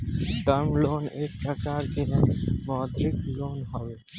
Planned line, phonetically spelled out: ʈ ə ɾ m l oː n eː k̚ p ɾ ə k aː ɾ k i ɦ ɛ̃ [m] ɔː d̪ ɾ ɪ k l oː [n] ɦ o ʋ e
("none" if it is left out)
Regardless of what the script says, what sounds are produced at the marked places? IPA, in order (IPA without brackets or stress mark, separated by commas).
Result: m, n